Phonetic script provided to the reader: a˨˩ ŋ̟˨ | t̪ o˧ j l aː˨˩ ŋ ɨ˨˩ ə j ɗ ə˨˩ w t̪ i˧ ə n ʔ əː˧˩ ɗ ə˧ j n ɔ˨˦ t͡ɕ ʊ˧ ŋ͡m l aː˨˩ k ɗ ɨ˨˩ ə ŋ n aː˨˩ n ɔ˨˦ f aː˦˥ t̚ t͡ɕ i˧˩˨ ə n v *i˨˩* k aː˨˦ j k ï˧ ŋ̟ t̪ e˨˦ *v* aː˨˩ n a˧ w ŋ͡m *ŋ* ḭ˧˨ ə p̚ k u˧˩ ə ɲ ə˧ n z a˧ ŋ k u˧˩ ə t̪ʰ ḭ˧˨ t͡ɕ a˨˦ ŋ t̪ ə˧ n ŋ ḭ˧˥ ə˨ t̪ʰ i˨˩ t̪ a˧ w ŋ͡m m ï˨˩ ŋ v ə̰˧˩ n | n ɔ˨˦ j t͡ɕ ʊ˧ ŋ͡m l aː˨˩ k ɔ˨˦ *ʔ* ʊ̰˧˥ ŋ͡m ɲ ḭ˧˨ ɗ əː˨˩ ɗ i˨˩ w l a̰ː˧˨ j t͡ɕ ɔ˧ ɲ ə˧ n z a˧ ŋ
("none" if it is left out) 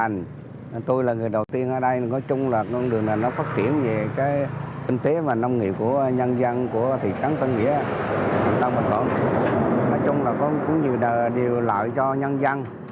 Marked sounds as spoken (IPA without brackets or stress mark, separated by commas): e˨˩, v, ŋ, k